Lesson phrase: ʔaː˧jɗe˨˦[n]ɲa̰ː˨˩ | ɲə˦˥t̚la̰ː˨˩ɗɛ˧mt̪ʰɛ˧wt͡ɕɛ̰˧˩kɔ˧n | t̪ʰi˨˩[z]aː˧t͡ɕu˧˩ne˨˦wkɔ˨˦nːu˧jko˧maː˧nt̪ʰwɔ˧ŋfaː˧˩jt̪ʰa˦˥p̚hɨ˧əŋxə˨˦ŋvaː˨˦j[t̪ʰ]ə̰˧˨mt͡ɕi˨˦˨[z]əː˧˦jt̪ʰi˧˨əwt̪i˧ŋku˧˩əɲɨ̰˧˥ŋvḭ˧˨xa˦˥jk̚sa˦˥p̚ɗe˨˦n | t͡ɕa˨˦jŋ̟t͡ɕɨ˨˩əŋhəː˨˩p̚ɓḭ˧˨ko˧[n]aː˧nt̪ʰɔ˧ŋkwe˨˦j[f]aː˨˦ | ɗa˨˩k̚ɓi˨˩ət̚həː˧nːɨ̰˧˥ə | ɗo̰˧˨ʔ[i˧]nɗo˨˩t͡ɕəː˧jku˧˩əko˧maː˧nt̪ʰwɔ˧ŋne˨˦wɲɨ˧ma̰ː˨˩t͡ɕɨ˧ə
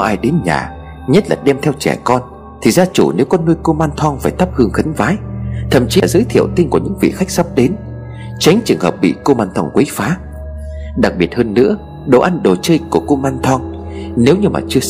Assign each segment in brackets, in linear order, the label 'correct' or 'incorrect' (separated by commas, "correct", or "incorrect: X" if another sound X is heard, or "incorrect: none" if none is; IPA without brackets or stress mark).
correct, correct, correct, correct, incorrect: m, correct, incorrect: a˧